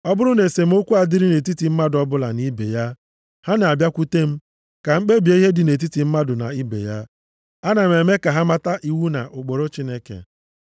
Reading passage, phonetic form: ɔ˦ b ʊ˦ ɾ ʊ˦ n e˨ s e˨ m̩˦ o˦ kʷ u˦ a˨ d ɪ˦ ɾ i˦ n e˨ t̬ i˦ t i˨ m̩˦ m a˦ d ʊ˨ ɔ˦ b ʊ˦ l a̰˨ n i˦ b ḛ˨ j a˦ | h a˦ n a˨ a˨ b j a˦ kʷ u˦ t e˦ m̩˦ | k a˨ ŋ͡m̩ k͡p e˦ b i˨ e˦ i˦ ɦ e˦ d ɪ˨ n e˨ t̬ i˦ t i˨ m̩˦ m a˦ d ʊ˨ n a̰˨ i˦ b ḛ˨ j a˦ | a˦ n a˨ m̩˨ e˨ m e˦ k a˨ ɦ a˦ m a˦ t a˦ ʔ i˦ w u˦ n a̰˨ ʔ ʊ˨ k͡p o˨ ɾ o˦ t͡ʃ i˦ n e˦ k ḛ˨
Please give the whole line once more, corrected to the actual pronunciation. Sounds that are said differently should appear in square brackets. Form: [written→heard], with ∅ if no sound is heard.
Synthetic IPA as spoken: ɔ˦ b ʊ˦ ɾ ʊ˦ n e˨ s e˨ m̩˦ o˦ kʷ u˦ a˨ d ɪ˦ ɾ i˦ n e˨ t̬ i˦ t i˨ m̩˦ m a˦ d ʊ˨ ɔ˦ b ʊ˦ l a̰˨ n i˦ b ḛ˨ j a˦ | h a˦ n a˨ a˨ b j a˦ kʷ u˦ t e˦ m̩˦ | k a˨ ŋ͡m̩ k͡p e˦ b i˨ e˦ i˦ ɦ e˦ d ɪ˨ n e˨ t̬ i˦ t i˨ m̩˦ m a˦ d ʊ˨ n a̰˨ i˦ b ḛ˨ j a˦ | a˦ n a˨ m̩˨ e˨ m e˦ k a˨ ɦ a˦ m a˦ t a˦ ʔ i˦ w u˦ n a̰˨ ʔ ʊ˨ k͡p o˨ ɾ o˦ t͡ʃ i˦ n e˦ k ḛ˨

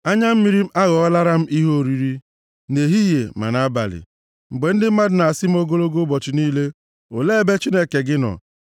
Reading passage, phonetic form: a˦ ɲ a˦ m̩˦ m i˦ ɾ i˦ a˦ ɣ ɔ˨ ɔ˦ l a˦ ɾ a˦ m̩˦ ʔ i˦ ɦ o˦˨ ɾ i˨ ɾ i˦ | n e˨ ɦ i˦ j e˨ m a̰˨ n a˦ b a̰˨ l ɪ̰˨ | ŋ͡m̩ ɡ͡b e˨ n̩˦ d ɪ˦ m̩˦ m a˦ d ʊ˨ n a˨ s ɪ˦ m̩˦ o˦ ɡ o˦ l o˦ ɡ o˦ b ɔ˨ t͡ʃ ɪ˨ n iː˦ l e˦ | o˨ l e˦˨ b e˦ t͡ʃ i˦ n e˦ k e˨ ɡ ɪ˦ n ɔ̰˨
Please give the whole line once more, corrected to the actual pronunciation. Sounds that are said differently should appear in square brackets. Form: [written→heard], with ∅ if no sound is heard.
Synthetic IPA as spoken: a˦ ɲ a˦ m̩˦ m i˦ ɾ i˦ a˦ ɣ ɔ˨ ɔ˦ l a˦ ɾ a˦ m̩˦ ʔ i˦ ɦ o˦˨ ɾ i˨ ɾ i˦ | n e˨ ɦ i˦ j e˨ m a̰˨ n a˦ b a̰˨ l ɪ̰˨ | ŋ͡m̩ ɡ͡b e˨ n̩˦ d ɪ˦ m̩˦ m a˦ d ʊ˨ n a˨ s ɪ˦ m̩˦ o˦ ɡ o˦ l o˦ ɡ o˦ b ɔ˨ t͡ʃ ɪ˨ n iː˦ l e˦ | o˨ l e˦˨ b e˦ t͡ʃ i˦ n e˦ k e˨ ɡ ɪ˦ n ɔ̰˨

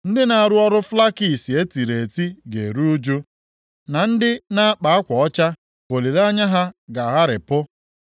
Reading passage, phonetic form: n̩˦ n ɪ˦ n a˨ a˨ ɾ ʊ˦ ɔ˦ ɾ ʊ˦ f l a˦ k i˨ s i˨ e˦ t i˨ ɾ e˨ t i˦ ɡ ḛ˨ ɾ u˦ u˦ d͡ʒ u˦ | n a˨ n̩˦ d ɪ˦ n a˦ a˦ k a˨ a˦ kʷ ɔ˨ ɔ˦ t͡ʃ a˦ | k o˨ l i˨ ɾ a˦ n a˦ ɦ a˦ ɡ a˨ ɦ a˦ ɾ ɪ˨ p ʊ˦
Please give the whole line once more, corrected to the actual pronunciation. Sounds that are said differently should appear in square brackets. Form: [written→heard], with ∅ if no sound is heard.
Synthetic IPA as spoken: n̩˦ [n→d] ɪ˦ n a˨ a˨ ɾ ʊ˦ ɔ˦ ɾ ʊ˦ f l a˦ k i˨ s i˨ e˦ t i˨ ɾ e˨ t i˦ ɡ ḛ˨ ɾ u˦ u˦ d͡ʒ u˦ | n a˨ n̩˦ d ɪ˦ n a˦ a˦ [k→k͡p] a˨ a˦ kʷ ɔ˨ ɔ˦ t͡ʃ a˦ | k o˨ l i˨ ɾ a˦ [n→ɲ] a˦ ɦ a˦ ɡ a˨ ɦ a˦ ɾ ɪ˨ p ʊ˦

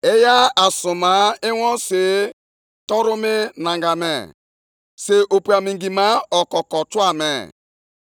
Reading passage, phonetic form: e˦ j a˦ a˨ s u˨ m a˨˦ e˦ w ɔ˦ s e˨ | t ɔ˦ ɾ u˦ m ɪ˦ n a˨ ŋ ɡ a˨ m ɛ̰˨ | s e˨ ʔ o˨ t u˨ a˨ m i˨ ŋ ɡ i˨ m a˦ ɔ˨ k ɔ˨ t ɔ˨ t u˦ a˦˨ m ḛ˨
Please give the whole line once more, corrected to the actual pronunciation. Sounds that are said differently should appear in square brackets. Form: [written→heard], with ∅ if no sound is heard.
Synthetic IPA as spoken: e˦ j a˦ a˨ s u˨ m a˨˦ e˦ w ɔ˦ s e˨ | t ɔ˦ ɾ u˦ m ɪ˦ n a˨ ŋ ɡ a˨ m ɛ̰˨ | s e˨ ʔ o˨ [t→p] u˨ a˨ m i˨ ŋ ɡ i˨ m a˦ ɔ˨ k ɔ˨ [t→k] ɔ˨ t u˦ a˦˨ m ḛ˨

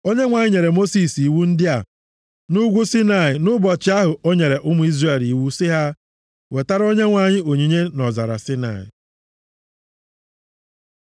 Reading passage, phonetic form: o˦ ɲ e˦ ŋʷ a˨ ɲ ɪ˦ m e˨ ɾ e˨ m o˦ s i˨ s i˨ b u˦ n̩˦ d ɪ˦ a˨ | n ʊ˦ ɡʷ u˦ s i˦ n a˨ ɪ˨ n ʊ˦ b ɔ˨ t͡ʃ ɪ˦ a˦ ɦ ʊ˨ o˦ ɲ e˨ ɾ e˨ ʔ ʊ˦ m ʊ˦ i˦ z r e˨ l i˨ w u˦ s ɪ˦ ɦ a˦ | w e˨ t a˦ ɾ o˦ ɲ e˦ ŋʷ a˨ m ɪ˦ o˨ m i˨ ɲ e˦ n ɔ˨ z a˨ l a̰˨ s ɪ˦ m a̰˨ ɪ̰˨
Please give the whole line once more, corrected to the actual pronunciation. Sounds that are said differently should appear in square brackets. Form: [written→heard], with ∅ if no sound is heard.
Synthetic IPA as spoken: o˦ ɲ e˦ ŋʷ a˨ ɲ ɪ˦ [m→ɲ] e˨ ɾ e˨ m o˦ s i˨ s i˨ [b→w] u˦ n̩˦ d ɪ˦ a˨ | n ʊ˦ ɡʷ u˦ s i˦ n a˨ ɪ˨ n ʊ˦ b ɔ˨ t͡ʃ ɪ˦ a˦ ɦ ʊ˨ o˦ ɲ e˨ ɾ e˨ ʔ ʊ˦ m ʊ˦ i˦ z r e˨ l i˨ w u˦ s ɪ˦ ɦ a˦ | w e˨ t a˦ ɾ o˦ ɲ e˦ ŋʷ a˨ [m→ɲ] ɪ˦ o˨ [m→ɲ] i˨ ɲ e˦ n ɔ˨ z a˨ [l→ɾ] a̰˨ s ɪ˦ [m→n] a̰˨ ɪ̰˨

